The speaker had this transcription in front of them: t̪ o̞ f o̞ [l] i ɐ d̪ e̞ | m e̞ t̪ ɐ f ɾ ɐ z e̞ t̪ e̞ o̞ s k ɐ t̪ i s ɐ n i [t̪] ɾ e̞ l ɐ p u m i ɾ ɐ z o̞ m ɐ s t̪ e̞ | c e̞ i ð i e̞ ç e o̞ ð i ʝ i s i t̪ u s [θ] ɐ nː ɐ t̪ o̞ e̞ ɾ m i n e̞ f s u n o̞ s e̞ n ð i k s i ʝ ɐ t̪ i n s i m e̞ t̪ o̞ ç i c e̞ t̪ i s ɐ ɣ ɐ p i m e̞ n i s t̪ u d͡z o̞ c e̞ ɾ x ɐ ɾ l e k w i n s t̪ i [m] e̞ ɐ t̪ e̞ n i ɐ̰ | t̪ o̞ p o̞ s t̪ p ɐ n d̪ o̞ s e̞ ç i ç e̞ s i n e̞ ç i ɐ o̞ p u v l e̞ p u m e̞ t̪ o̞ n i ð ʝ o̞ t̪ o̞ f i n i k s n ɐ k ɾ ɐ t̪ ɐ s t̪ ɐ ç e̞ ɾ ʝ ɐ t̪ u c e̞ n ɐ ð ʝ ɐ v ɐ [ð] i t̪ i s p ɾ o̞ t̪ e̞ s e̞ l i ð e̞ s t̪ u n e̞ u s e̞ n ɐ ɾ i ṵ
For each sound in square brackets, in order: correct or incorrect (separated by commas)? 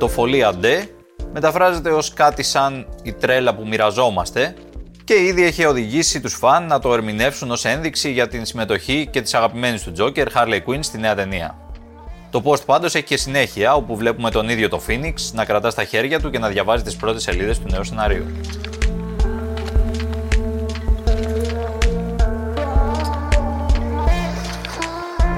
correct, correct, incorrect, incorrect, incorrect